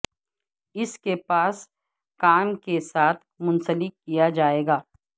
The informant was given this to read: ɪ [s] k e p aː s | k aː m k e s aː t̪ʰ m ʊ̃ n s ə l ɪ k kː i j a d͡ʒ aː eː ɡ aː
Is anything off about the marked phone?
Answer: no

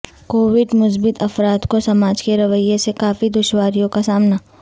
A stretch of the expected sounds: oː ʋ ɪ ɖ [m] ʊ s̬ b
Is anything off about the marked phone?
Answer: no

